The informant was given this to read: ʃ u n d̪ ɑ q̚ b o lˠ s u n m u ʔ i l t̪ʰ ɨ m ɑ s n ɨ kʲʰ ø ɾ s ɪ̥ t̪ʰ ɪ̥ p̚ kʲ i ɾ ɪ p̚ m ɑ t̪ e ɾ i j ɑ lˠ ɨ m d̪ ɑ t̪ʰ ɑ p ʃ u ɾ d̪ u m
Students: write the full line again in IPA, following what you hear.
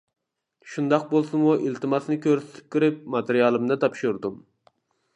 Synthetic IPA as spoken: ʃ u n d̪ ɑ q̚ b o lˠ s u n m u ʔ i l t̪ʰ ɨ m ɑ s n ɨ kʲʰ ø ɾ s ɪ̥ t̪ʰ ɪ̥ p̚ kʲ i ɾ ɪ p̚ m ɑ t̪ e ɾ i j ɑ lˠ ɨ m d̪ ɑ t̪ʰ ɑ p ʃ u ɾ d̪ u m